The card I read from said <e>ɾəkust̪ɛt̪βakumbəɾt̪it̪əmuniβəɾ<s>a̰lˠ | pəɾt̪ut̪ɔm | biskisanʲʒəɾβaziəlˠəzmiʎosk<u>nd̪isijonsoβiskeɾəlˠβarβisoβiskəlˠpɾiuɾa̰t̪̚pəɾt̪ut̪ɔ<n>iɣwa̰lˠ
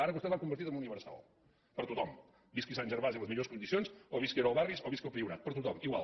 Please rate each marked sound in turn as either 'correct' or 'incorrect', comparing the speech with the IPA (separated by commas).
incorrect, correct, correct, incorrect